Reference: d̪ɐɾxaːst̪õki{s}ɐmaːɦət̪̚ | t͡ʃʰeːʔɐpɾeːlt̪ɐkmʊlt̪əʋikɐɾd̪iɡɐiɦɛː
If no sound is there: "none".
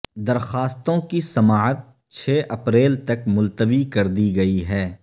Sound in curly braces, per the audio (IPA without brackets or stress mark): s